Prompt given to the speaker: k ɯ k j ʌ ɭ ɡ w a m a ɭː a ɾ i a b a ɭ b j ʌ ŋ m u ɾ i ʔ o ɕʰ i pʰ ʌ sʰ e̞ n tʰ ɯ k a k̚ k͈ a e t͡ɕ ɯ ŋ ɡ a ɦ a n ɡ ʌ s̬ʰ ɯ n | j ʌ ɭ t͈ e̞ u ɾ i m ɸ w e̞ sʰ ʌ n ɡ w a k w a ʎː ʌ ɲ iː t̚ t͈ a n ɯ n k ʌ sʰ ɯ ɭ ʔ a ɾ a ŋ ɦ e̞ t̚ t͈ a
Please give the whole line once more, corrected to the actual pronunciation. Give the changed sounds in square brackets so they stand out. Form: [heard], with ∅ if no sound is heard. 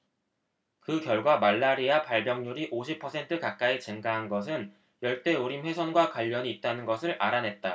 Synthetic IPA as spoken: k ɯ k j ʌ ɭ ɡ w a m a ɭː a ɾ i a [p] a ɭ b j ʌ ŋ [ɲ] u ɾ i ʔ o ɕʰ i pʰ ʌ sʰ e̞ n tʰ ɯ k a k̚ k͈ a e t͡ɕ ɯ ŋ ɡ a ɦ a n ɡ ʌ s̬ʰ ɯ n | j ʌ ɭ t͈ e̞ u ɾ i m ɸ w e̞ sʰ ʌ n ɡ w a k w a ʎː ʌ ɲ iː t̚ t͈ a n ɯ n [ɡ] ʌ sʰ ɯ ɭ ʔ a ɾ a [n] ɦ e̞ t̚ t͈ a

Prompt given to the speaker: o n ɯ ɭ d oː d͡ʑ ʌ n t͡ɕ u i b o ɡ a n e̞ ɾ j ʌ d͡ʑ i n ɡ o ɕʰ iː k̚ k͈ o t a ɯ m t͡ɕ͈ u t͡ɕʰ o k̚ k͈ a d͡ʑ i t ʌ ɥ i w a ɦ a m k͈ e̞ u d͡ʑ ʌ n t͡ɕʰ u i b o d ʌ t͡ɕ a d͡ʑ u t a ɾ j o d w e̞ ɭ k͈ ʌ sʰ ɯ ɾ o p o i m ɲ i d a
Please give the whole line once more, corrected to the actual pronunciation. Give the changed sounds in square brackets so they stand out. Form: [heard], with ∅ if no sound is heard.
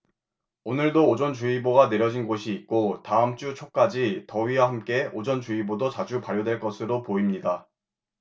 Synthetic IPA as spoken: o n ɯ ɭ d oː d͡ʑ ʌ n t͡ɕ u i b o ɡ a n e̞ ɾ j ʌ d͡ʑ i n ɡ o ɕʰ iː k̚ k͈ o t a ɯ m t͡ɕ͈ u t͡ɕʰ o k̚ k͈ a d͡ʑ i t ʌ ɥ i w a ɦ a m k͈ e̞ [o] d͡ʑ ʌ n [t͡ɕ] u i b o d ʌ t͡ɕ a d͡ʑ u [p] a ɾ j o d w e̞ ɭ k͈ ʌ sʰ ɯ ɾ o p o i m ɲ i d a

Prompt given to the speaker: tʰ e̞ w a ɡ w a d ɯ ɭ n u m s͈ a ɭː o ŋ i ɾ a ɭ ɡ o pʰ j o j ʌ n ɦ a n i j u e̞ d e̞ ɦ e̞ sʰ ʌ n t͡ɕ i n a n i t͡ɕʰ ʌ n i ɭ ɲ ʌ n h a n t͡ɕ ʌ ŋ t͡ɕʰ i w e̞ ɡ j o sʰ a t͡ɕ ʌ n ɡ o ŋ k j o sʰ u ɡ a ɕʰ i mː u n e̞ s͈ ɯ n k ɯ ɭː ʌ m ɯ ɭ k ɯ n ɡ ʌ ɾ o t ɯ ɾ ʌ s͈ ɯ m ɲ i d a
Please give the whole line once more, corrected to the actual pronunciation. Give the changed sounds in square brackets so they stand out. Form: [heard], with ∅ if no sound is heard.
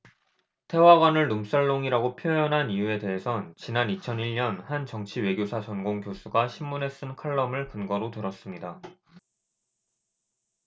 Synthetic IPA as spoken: tʰ e̞ w a ɡ w a [n] ɯ ɭ n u m s͈ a ɭː o ŋ i ɾ a [∅] ɡ o pʰ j o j ʌ n ɦ a n i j u e̞ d e̞ ɦ e̞ sʰ ʌ n t͡ɕ i n a n i t͡ɕʰ ʌ n i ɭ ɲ ʌ n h a n t͡ɕ ʌ ŋ t͡ɕʰ i w e̞ ɡ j o sʰ a t͡ɕ ʌ n ɡ o ŋ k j o sʰ u ɡ a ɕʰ i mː u n e̞ s͈ ɯ n [kʰ] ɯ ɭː ʌ m ɯ ɭ k ɯ n ɡ ʌ ɾ o t ɯ ɾ ʌ s͈ ɯ m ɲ i d a

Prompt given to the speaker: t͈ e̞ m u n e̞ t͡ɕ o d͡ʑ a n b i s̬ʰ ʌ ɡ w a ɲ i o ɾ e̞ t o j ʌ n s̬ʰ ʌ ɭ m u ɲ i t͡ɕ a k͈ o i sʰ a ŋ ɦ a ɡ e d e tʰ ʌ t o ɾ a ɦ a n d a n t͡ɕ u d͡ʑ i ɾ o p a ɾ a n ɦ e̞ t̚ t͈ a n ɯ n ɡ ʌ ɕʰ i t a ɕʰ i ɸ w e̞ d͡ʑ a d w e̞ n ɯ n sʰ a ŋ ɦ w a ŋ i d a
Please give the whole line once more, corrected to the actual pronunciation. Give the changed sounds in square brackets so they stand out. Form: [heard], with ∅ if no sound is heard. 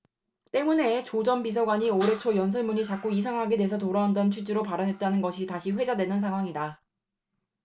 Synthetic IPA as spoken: t͈ e̞ m u n e̞ t͡ɕ o d͡ʑ [ʌ] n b i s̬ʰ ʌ ɡ w a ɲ i o ɾ e̞ [t͡ɕʰ] o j ʌ n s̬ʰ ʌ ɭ m u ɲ i t͡ɕ a k͈ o i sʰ a ŋ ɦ a ɡ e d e [sʰ] ʌ t o ɾ a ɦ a n d [ʌ] n [t͡ɕʰ] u d͡ʑ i ɾ o p a ɾ [ʌ] n ɦ e̞ t̚ t͈ a n ɯ n ɡ ʌ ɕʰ i t a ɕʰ i ɸ w e̞ d͡ʑ a d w e̞ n ɯ n sʰ a ŋ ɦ w a ŋ i d a

